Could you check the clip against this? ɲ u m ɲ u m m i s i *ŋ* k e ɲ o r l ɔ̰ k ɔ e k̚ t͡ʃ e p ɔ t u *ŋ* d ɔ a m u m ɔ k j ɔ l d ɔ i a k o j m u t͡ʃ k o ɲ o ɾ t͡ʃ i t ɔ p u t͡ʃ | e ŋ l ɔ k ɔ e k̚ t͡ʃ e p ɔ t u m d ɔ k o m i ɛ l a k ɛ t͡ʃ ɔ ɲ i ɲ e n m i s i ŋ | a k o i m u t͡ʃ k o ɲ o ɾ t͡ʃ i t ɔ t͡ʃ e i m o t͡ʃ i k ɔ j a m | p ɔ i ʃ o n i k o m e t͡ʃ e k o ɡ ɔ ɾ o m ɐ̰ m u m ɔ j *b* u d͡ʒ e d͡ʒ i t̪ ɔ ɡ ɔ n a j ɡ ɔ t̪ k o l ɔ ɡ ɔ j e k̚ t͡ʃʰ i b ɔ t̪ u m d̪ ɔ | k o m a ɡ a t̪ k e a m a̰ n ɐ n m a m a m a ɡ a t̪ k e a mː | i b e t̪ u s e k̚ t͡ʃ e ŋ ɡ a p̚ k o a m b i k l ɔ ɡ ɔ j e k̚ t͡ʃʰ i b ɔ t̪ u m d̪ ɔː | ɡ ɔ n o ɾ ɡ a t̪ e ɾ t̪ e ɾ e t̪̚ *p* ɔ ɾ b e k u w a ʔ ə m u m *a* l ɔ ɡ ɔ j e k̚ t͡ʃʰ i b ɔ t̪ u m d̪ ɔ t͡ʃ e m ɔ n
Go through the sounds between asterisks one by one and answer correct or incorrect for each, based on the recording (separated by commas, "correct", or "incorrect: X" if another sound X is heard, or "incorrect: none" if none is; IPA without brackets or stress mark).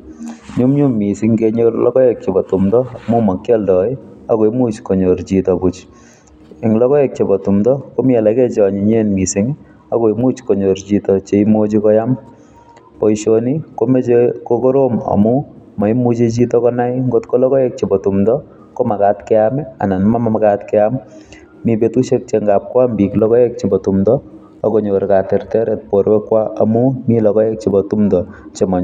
correct, incorrect: m, incorrect: m, correct, incorrect: i